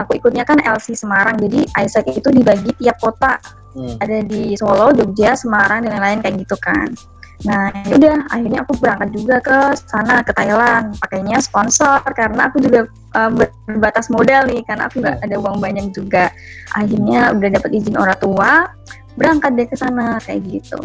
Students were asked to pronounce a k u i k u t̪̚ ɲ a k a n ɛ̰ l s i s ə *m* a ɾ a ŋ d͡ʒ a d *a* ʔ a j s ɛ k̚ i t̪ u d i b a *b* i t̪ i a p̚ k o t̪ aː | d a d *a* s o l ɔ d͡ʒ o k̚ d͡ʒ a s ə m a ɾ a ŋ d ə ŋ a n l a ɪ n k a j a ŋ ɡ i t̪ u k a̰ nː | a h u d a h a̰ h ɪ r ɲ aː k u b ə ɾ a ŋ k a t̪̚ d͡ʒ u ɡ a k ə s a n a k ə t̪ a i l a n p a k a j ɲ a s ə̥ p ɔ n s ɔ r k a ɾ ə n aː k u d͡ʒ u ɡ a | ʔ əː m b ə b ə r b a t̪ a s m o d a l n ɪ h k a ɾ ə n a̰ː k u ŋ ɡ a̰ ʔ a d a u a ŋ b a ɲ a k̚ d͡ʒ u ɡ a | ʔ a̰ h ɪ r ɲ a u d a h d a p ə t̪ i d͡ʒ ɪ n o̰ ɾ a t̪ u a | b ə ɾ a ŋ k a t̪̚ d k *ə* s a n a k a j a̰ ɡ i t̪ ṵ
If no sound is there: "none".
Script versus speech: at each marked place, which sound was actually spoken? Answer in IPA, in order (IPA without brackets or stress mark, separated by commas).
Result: m, i, ɡ, i, ə